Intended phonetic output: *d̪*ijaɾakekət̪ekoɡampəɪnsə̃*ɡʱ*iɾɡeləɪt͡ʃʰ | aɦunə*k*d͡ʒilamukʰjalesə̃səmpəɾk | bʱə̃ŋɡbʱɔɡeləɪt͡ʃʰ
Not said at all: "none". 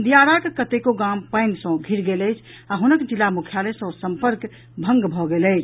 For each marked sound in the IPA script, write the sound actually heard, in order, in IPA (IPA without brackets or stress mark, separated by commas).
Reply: d̪, ɡʱ, k